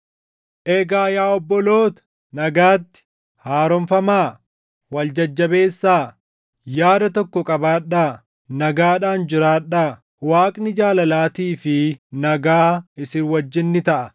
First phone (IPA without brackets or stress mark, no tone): ʔ